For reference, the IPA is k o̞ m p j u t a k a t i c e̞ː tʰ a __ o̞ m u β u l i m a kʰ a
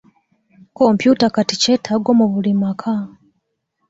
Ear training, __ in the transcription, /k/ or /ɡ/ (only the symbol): ɡ